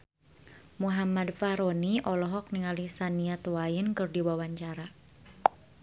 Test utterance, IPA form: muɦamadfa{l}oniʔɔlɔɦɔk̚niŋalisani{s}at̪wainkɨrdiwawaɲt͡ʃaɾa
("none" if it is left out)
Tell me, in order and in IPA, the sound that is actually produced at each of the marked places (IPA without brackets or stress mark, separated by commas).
ɾ, none